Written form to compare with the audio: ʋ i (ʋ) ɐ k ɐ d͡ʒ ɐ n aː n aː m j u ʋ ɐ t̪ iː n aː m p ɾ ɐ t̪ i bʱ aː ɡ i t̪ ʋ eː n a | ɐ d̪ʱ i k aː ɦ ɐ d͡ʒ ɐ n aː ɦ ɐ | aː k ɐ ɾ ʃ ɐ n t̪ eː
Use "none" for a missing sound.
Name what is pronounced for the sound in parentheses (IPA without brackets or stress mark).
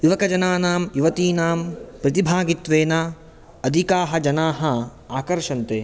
ʋ